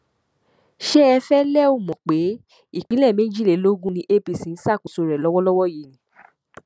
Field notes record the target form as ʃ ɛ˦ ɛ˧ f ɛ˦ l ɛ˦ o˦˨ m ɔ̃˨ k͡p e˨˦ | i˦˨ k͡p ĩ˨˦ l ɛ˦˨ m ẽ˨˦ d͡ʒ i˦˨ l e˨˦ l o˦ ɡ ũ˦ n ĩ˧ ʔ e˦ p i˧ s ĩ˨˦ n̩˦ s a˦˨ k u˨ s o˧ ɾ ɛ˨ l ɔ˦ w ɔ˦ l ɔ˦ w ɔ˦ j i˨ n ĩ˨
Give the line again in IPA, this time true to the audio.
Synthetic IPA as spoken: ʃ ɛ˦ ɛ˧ f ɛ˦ l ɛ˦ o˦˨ m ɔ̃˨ k͡p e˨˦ | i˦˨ k͡p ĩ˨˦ l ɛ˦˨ m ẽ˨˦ d͡ʒ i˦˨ l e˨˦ l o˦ ɡ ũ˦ n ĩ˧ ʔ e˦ p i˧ s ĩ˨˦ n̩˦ s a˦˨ k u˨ s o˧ ɾ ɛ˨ l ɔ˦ w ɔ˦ l ɔ˦ w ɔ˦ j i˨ n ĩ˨